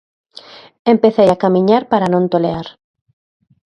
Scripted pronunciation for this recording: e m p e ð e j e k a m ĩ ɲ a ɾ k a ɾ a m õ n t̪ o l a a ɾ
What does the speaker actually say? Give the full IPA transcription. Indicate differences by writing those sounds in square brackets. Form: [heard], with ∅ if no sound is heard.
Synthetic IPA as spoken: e m p e [θ] e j [a] k a m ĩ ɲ a ɾ [p] a ɾ a [n] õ n t̪ o l [e] a ɾ